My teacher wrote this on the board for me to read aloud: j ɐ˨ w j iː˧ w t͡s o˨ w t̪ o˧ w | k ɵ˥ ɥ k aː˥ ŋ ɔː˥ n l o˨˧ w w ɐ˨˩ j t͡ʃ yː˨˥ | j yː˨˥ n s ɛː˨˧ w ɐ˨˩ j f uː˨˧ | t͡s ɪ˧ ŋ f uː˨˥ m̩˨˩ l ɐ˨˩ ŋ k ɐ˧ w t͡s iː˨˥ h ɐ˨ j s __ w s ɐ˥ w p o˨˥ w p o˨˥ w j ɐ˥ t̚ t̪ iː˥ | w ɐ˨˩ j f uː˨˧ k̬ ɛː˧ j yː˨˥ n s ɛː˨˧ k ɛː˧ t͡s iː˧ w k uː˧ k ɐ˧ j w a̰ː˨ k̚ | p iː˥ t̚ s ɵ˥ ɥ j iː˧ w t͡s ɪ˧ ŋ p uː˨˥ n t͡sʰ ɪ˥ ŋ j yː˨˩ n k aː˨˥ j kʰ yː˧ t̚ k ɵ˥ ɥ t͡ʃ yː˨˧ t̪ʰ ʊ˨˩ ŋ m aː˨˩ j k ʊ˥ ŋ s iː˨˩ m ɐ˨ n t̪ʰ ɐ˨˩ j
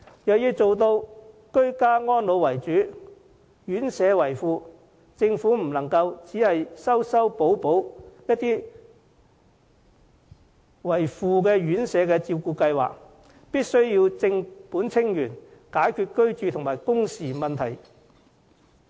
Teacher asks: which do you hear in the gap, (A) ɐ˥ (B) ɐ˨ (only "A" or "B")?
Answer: A